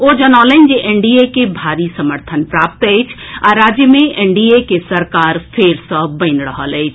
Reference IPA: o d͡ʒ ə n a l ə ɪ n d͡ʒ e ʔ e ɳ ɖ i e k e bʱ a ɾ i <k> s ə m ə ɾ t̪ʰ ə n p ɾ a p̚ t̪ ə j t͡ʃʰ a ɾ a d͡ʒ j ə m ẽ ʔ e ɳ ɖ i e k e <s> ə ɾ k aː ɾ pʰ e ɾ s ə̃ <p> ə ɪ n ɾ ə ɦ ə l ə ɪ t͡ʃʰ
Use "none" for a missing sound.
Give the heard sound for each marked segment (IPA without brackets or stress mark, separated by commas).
none, s, b